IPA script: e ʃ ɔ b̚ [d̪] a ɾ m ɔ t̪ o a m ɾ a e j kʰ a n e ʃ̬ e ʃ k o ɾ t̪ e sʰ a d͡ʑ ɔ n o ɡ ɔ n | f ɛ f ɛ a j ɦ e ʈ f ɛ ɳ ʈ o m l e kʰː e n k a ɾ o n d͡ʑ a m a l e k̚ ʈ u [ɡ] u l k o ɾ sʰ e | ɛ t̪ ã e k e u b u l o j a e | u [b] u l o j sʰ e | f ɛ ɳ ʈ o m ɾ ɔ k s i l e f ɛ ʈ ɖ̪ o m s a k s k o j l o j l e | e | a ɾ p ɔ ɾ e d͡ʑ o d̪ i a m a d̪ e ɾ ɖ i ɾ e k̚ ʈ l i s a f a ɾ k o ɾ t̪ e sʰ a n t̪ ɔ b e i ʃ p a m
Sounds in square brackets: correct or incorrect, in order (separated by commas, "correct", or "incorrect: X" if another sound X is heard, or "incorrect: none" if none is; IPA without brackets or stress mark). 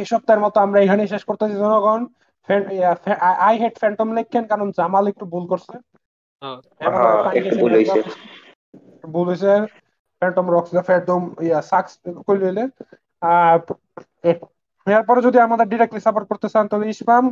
incorrect: t̪, incorrect: b, correct